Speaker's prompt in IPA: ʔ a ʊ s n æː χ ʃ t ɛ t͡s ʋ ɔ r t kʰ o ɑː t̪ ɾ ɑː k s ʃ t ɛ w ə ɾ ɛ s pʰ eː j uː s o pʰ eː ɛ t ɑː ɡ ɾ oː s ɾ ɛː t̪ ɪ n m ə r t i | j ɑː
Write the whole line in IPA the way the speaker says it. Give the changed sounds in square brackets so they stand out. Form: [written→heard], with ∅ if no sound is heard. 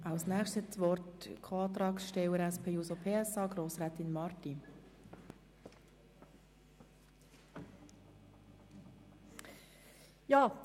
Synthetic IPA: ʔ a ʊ s n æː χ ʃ t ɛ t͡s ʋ ɔ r t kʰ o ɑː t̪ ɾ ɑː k s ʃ t ɛ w ə ɾ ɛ s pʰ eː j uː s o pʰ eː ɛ [t→s] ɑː ɡ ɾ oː s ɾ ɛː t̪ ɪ n m [ə→ɑ] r t i | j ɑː

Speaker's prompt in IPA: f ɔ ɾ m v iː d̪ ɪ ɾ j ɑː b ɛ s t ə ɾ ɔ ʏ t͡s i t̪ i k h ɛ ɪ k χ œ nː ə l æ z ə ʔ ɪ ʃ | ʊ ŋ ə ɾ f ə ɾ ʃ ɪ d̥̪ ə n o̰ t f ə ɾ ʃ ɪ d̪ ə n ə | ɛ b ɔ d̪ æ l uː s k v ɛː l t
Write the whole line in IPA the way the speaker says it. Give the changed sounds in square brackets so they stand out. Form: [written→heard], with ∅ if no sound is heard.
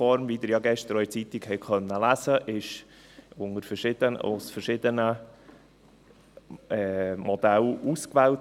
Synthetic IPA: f ɔ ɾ m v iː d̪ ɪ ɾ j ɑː [b→ɡ] ɛ [s→ʃ] t ə ɾ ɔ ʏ t͡s i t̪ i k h ɛ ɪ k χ œ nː ə l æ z ə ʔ ɪ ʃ | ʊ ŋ ə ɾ f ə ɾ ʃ ɪ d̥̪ ə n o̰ [t→s] f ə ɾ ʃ ɪ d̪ ə n ə | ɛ [b→m] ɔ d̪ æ l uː s k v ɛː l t

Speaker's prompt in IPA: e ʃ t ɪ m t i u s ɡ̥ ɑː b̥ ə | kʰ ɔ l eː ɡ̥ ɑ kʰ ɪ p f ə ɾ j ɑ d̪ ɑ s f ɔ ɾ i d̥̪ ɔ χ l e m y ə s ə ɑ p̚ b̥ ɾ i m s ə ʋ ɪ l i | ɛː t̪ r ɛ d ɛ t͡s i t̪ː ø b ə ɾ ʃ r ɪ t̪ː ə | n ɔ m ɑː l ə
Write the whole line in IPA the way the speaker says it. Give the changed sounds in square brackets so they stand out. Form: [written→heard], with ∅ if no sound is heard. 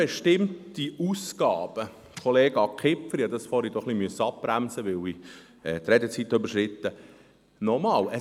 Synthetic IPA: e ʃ t ɪ m t i u s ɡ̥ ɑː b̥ ə | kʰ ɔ l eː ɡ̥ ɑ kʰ ɪ p f ə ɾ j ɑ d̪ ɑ s f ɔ ɾ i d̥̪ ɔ χ l [e→i] m y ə s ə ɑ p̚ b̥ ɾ [i→æ] m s ə ʋ ɪ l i | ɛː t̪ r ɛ d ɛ t͡s i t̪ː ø b ə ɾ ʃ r ɪ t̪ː ə | n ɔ m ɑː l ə

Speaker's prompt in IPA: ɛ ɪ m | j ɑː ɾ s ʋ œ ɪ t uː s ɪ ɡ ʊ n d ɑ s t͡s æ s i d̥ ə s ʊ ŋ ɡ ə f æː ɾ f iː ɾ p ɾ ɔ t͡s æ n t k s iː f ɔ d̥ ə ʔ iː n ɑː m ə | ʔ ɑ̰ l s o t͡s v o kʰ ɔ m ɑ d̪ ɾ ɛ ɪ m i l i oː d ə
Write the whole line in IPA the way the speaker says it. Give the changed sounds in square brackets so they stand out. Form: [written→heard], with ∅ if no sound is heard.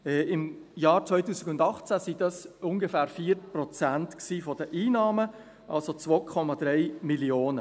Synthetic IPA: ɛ ɪ m | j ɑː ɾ [s→t͡s] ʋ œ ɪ t uː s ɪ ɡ ʊ n d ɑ [s→χ] t͡s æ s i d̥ [ə→ɑ] s ʊ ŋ ɡ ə f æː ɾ f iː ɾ p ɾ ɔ t͡s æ n t k s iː f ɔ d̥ ə ʔ iː n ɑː m ə | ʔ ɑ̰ l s o t͡s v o kʰ ɔ m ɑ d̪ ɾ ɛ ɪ m i l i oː [d→n] ə

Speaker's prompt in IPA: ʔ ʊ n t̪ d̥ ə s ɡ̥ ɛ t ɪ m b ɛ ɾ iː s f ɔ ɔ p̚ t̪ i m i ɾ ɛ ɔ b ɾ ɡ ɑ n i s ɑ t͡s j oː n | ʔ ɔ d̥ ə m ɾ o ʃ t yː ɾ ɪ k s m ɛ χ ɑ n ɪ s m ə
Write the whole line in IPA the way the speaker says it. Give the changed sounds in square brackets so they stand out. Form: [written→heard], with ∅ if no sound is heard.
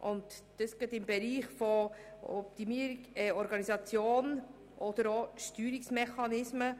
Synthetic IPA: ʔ ʊ n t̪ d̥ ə s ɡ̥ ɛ t ɪ m b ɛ ɾ iː [s→χ] f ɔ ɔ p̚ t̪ i m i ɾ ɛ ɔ [b→∅] ɾ ɡ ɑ n i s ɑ t͡s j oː n | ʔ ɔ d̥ ə [m→∅] ɾ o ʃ t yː ɾ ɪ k s m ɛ χ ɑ n ɪ s m ə

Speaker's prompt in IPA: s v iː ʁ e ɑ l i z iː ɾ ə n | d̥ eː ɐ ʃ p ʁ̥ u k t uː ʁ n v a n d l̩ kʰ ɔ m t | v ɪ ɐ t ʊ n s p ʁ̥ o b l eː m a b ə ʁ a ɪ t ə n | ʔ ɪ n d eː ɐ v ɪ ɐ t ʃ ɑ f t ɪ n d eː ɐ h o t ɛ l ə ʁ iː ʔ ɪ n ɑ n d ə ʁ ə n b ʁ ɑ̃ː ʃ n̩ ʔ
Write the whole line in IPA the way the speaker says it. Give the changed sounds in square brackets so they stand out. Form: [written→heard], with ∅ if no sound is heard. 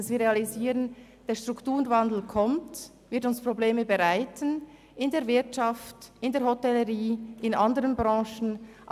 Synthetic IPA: s v iː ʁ e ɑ l i z iː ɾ ə n | d̥ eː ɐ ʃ [p→t] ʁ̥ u k t uː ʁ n v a n d l̩ kʰ ɔ m t | v ɪ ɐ t ʊ n s p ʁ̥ o b l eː m [a→ə] b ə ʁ a ɪ t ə n | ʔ ɪ n d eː ɐ v ɪ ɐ t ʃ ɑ f t ɪ n d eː ɐ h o t ɛ l ə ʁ iː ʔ ɪ n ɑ n d ə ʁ ə n b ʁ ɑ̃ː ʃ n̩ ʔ

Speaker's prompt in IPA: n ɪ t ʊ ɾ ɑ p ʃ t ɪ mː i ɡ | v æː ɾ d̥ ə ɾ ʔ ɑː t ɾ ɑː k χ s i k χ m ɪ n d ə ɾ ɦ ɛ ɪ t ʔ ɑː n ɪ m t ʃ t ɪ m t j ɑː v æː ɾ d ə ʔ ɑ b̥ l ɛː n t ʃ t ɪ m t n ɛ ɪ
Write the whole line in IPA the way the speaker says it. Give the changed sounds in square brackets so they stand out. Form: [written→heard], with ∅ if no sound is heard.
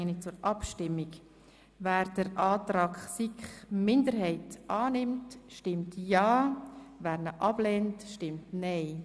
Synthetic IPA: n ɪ [t→t͡s] ʊ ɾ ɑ p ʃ t ɪ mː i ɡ | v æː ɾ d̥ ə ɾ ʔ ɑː t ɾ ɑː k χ s i k χ m ɪ n d ə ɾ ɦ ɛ ɪ t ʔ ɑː n ɪ m t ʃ t ɪ m t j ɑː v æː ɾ [d→n] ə ʔ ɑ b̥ l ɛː n t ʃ t ɪ m t n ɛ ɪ

